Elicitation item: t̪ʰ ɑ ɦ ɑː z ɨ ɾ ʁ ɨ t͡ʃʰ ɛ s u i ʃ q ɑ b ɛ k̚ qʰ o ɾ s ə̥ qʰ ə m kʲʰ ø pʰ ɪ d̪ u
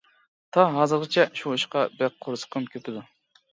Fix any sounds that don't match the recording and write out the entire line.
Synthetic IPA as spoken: t̪ʰ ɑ ɦ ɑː z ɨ ɾ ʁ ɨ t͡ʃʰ ɛ ʃ u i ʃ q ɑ b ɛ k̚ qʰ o ɾ s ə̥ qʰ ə m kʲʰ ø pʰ ɪ d̪ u